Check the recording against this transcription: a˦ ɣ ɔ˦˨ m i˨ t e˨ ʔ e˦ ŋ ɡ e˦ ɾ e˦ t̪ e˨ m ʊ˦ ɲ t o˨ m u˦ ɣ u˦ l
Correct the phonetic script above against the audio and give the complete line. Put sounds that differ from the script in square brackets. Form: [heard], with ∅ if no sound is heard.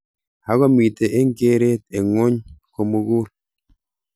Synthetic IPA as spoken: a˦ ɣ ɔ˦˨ m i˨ t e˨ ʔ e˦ ŋ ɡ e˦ ɾ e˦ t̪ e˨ [ŋ] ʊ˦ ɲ [k] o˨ m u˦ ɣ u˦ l